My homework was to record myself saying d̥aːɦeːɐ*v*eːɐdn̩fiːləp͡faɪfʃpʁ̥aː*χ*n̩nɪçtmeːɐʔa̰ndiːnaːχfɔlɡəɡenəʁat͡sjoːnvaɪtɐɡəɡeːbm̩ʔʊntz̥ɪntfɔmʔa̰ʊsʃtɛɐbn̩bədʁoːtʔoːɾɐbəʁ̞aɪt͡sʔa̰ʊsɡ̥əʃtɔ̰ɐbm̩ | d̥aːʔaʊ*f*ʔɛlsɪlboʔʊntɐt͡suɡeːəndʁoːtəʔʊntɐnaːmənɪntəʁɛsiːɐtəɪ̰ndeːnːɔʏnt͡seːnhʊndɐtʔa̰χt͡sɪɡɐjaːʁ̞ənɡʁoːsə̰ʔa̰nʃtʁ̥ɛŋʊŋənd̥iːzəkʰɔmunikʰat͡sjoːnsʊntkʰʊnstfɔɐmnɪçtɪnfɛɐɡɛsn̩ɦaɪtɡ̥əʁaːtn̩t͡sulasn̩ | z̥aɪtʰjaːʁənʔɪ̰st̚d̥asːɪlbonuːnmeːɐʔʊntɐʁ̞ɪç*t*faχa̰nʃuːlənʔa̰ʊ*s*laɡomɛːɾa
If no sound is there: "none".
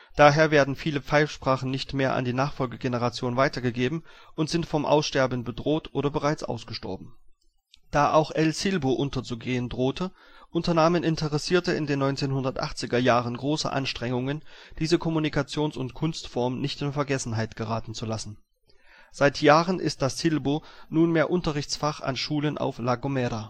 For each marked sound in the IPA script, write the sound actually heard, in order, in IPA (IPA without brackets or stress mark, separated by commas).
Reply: v, χ, x, t͡s, f